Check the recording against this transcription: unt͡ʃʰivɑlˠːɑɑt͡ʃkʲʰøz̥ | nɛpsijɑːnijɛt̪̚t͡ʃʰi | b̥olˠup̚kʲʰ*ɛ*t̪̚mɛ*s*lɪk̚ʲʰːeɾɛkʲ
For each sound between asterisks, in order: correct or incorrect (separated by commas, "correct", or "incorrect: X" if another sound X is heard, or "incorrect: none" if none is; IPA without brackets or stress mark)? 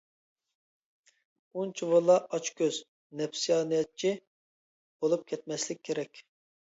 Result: correct, correct